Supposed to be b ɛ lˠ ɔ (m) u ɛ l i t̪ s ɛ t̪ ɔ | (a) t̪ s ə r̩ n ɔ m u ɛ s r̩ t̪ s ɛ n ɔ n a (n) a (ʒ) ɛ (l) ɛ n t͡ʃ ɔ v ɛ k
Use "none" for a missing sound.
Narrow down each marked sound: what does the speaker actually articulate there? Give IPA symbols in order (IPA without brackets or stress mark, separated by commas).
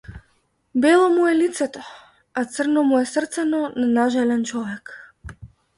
m, a, n, ʒ, l